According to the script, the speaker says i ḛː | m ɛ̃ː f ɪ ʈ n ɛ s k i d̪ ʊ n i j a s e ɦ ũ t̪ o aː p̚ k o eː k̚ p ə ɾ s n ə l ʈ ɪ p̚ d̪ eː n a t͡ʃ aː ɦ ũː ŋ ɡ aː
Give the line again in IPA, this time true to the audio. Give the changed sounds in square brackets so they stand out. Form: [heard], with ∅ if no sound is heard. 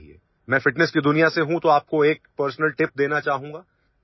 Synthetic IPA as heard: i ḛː | m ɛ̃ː f ɪ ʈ n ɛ s k i d̪ ʊ n i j a s e ɦ ũ t̪ o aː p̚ k o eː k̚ p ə ɾ s n ə l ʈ ɪ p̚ d̪ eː n a t͡ʃ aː ɦ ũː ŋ ɡ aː